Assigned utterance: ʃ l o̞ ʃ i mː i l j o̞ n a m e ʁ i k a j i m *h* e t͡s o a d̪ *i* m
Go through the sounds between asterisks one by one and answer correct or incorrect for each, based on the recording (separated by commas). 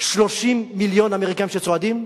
incorrect, correct